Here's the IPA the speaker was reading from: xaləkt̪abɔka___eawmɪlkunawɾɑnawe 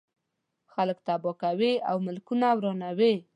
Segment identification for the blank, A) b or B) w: B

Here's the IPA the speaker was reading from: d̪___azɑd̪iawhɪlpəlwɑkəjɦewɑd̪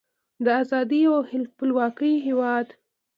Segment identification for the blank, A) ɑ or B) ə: B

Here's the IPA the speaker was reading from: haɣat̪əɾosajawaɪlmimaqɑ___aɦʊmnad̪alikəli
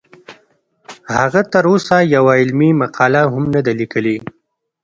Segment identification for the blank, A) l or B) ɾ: A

